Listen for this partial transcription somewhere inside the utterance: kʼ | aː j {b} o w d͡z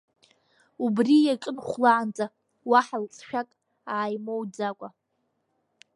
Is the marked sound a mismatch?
yes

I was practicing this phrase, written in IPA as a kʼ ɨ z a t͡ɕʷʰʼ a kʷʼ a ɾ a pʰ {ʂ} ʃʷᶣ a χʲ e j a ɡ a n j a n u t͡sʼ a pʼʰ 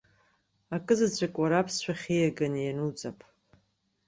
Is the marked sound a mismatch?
yes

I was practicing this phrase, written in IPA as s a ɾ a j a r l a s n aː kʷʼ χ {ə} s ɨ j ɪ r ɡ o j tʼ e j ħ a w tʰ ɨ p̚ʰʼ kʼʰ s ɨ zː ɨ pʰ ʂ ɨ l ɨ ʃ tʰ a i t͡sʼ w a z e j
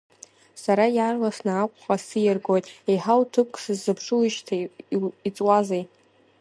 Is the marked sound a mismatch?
yes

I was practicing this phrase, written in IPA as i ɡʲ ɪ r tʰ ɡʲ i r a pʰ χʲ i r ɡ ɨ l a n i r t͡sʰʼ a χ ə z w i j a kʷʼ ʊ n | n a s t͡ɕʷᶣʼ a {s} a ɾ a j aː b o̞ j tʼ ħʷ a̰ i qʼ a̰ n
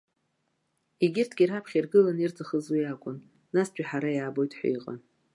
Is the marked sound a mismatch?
yes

